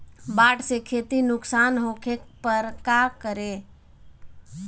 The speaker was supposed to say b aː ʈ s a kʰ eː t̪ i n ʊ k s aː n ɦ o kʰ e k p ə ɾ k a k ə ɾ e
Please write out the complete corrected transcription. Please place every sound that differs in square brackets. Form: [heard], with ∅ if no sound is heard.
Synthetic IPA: b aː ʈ s [e] kʰ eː t̪ i n ʊ k s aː n ɦ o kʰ e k p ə ɾ k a k ə ɾ e